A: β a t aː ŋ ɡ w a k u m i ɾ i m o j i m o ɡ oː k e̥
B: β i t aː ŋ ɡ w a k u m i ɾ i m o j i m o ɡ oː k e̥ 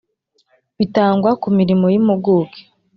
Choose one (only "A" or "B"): B